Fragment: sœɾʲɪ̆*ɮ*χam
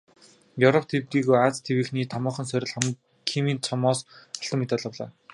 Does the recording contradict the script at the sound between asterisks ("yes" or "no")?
no